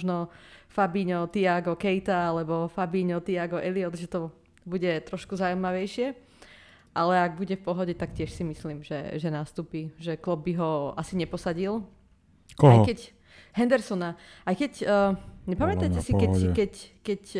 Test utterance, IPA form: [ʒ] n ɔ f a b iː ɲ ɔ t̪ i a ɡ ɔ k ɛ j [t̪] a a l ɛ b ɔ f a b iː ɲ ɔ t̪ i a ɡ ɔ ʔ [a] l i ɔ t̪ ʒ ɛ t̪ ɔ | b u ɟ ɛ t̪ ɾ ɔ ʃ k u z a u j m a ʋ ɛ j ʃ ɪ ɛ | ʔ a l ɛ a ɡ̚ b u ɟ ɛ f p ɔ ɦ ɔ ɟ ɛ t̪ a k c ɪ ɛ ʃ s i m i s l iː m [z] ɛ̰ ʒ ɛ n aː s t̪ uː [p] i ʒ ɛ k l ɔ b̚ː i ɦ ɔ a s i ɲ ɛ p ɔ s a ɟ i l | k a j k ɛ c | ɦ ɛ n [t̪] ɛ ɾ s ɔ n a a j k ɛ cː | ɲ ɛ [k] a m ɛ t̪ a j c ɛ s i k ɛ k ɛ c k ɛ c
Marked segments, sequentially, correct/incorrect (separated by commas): correct, correct, incorrect, incorrect, correct, incorrect, incorrect